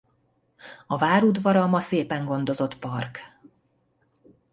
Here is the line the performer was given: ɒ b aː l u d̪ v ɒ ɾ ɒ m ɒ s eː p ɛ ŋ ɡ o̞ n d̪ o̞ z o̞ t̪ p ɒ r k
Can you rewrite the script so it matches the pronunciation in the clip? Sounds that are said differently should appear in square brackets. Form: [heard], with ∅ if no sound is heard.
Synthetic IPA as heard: ɒ [v] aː [ɾ] u d̪ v ɒ ɾ ɒ m ɒ s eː p ɛ ŋ ɡ o̞ n d̪ o̞ z o̞ t̪ p ɒ r k